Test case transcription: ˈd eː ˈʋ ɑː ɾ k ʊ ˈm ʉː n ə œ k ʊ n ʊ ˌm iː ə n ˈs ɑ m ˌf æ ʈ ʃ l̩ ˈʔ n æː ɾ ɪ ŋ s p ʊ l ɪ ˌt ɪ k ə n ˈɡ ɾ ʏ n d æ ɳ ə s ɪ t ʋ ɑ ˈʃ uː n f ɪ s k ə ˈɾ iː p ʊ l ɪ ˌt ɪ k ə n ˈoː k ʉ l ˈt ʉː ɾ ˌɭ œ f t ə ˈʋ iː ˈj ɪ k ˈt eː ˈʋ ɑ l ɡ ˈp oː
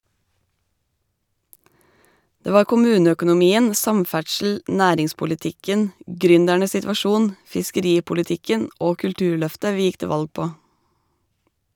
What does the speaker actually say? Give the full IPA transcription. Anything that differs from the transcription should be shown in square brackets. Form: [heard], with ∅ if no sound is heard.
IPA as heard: ˈd eː ˈʋ ɑː ɾ k ʊ ˈm ʉː n ə œ k ʊ n ʊ ˌm iː ə n ˈs ɑ m ˌf æ ʈ ʃ l̩ ˈʔ n æː ɾ ɪ ŋ s p ʊ l ɪ ˌt ɪ k ə n ˈɡ ɾ ʏ n d æ ɳ ə s ɪ t ʋ ɑ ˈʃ uː n f ɪ s k ə ˈɾ iː p ʊ l ɪ ˌt ɪ k ə n ˈoː k ʉ l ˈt ʉː ɾ ˌɭ œ f t ə ˈʋ iː ˈj ɪ k ˈt eː ˈʋ ɑ l ɡ ˈp oː

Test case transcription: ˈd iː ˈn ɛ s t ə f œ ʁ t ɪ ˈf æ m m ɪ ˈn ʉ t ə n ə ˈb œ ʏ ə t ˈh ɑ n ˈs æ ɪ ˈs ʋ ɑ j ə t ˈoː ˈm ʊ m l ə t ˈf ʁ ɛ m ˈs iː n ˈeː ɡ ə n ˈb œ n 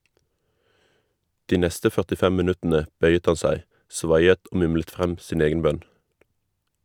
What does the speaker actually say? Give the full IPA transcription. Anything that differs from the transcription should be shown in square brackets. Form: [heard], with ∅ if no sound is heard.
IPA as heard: ˈd iː ˈn ɛ s t ə f œ ʁ t ɪ ˈf [ɛ] m m ɪ ˈn ʉ t ə n ə ˈb œ ʏ ə t ˈh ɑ n ˈs æ ɪ ˈs ʋ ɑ j ə t ˈoː ˈm ʊ m l ə t ˈf ʁ ɛ m ˈs iː n ˈeː ɡ ə n ˈb œ n

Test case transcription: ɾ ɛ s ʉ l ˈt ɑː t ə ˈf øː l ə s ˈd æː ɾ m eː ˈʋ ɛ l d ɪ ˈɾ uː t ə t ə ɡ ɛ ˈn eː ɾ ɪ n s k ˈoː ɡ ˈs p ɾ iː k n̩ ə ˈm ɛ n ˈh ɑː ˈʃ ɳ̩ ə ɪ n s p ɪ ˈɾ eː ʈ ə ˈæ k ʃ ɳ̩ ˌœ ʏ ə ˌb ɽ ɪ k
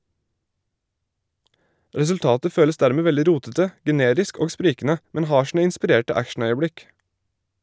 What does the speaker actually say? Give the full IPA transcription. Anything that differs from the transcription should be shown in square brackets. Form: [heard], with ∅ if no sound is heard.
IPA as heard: ɾ ɛ s ʉ l ˈt ɑː t ə ˈf øː l ə s ˈd æː ɾ m eː ˈʋ ɛ l d ɪ ˈɾ uː t ə t ə ɡ ɛ ˈn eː ɾ ɪ [∅] s k ˈoː ɡ ˈs p ɾ iː k n̩ ə ˈm ɛ n ˈh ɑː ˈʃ ɳ̩ ə ɪ n s p ɪ ˈɾ eː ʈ ə ˈæ k ʃ ɳ̩ ˌœ ʏ ə ˌb ɽ ɪ k

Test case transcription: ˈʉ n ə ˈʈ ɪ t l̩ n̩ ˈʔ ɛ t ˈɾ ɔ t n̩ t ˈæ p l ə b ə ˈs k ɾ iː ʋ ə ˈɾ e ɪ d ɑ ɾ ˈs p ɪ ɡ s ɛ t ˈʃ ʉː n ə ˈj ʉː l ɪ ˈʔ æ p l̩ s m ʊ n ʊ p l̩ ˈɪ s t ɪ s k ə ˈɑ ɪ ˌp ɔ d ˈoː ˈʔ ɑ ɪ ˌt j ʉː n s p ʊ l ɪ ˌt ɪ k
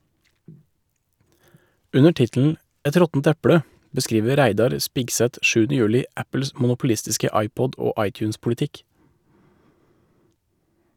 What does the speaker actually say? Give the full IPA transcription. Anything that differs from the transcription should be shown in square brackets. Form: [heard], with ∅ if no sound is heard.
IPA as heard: ˈʉ n ə ˈʈ ɪ t l̩ n̩ ˈʔ ɛ t ˈɾ ɔ t n̩ t ˈæ p [ɽ] ə b ə ˈs k ɾ iː ʋ ə ˈɾ [æ] ɪ d ɑ ɾ ˈs p ɪ ɡ s ɛ t ˈʃ ʉː n ə ˈj ʉː l ɪ ˈʔ æ p l̩ s m ʊ n ʊ p l̩ ˈɪ s t ɪ s k ə ˈɑ ɪ ˌp ɔ d ˈoː ˈʔ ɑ ɪ ˌt j ʉː n s p ʊ l ɪ ˌt ɪ k

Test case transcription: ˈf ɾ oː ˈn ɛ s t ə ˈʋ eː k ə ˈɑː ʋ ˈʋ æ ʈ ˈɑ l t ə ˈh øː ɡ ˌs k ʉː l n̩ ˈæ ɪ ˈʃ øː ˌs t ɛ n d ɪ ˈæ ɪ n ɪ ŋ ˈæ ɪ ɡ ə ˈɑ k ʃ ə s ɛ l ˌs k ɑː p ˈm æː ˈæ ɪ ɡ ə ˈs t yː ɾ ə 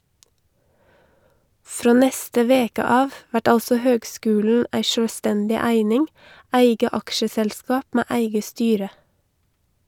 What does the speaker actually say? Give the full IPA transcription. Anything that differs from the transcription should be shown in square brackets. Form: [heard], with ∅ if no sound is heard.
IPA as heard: ˈf ɾ oː ˈn ɛ s t ə ˈʋ eː k ə ˈɑː ʋ ˈʋ æ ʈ ˈɑ l [s] ə ˈh øː ɡ ˌs k ʉː l n̩ ˈæ ɪ ˈʃ øː ˌs t ɛ n d ɪ ˈæ ɪ n ɪ ŋ ˈæ ɪ ɡ ə ˈɑ k ʃ ə s ɛ l ˌs k ɑː p ˈm æː ˈæ ɪ ɡ ə ˈs t yː ɾ ə

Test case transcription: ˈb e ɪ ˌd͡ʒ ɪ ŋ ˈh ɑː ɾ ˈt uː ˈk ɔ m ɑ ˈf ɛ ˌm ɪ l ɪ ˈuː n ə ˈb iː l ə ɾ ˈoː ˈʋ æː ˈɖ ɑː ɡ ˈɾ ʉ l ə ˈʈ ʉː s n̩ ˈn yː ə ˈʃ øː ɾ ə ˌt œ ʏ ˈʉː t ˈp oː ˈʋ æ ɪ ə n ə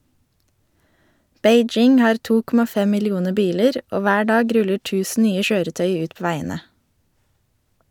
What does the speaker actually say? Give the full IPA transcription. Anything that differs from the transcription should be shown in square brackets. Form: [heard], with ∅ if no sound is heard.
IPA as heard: ˈb e ɪ ˌd͡ʒ ɪ ŋ ˈh ɑː ɾ ˈt uː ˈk ɔ m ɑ ˈf ɛ ˌm ɪ l ɪ ˈuː n ə ˈb iː l ə ɾ ˈoː ˈʋ æː ˈɖ ɑː ɡ ˈɾ ʉ l ə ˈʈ ʉː s n̩ ˈn yː ə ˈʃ øː ɾ ə ˌt œ ʏ ˈʉː t ˈp oː ˈʋ æ ɪ ə n ə

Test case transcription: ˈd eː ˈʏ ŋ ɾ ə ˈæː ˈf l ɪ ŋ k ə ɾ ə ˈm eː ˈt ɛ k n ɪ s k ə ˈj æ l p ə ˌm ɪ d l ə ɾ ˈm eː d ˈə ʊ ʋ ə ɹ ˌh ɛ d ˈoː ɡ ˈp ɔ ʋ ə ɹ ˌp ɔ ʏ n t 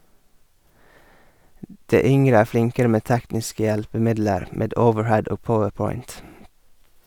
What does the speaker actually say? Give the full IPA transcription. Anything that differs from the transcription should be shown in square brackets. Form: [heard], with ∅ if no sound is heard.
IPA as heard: ˈd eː ˈʏ ŋ ɾ ə ˈæː ˈf l ɪ ŋ k ə ɾ ə ˈm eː ˈt [æ] k n ɪ s k ə ˈj æ l p ə ˌm ɪ d l ə ɾ ˈm eː d ˈə ʊ ʋ ə ɹ ˌh ɛ d ˈoː ɡ ˈp ɔ ʋ ə ɹ ˌp ɔ ʏ n t

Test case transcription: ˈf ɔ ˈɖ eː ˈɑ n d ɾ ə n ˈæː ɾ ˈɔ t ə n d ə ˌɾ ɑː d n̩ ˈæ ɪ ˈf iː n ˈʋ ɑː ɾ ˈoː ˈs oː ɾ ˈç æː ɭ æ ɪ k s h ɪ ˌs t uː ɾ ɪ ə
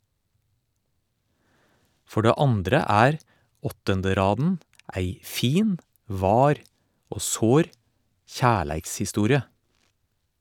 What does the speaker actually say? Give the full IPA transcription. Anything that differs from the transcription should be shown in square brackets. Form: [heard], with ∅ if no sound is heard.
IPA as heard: ˈf ɔ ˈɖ eː ˈɑ n d ɾ ə [∅] ˈæː ɾ ˈɔ t ə n d ə ˌɾ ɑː d n̩ ˈæ ɪ ˈf iː n ˈʋ ɑː ɾ ˈoː ˈs oː ɾ ˈç æː ɭ æ ɪ k s h ɪ ˌs t uː ɾ ɪ ə

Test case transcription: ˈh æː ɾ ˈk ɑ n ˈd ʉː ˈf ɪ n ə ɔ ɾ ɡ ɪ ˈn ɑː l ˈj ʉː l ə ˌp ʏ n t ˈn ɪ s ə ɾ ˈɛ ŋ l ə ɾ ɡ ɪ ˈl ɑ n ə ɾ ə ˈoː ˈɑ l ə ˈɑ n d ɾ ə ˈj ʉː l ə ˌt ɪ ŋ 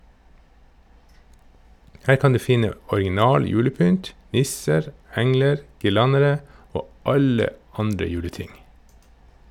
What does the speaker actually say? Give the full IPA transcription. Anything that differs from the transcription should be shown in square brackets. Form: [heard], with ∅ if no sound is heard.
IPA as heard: ˈh æː ɾ ˈk ɑ n ˈd ʉː ˈf ɪ n ə ɔ ɾ ɡ ɪ ˈn ɑː l ˈj ʉː l ə ˌp ʏ n t ˈn ɪ s ə ɾ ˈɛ ŋ l ə ɾ ɡ ɪ ˈl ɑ n ə ɾ ə ˈoː ˈɑ l ə ˈɑ n d ɾ ə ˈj ʉː l ə ˌt ɪ ŋ

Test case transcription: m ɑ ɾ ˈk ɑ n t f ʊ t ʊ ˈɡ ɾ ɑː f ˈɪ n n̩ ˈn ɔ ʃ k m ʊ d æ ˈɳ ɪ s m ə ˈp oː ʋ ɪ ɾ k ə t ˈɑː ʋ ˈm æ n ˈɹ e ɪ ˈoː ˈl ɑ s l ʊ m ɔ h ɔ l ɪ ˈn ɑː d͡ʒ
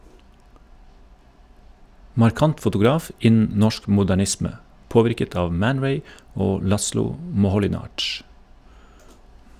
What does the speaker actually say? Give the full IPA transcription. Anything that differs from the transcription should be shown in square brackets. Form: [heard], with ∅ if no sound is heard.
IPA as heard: m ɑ ɾ ˈk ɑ n t f ʊ t ʊ ˈɡ ɾ ɑː f ˈɪ n n̩ ˈn ɔ ʃ k m ʊ d æ ˈɳ ɪ s m ə ˈp oː ʋ ɪ ɾ k ə t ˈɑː ʋ ˈm æ n ˈɹ e ɪ ˈoː ˈl ɑ s l ʊ m ɔ h ɔ l ɪ ˈn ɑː d͡ʒ

